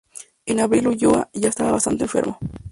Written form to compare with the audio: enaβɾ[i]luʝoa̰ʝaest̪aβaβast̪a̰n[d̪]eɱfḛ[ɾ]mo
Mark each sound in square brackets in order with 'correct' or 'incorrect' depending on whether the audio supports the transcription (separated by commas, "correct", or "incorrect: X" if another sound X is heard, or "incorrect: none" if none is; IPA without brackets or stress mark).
correct, incorrect: t̪, correct